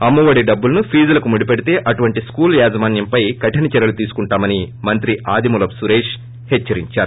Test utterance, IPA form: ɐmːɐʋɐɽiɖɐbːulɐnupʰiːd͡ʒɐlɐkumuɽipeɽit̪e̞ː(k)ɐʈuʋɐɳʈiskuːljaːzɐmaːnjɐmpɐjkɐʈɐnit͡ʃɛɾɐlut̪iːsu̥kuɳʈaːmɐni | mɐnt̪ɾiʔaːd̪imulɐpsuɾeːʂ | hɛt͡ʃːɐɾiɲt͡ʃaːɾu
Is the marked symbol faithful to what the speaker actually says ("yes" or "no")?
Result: no